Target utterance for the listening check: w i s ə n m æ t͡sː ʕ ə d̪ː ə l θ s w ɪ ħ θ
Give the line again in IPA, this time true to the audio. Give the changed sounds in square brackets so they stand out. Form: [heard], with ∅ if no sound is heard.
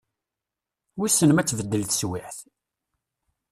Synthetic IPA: w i s ə n m æ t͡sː [v] ə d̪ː ə l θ s w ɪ ħ θ